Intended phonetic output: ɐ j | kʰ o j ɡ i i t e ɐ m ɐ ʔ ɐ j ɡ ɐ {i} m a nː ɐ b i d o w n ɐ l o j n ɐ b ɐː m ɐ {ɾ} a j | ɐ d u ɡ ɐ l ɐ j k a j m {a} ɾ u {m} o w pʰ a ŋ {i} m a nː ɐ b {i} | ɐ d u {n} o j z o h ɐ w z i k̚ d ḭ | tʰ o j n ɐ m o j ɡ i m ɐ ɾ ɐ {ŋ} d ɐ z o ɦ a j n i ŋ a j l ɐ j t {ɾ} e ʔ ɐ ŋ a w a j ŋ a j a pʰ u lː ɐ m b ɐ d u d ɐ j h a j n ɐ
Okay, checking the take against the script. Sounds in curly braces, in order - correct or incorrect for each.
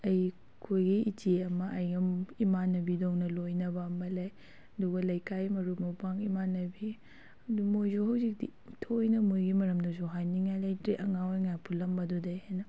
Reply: correct, incorrect: l, incorrect: ɐ, correct, correct, correct, incorrect: m, incorrect: m, correct

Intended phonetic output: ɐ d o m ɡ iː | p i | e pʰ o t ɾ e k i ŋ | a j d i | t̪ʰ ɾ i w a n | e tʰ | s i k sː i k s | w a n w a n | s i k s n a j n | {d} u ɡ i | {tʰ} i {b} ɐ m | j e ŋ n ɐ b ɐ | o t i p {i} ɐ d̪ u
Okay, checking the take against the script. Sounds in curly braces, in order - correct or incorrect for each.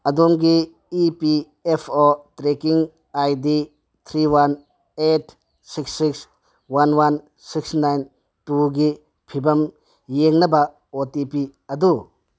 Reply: incorrect: t, incorrect: pʰ, correct, correct

